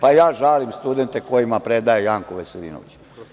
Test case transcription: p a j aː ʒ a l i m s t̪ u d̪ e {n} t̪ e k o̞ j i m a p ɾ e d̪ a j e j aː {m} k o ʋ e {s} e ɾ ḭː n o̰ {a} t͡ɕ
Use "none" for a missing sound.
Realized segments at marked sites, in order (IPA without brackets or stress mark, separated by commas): n, ŋ, s, i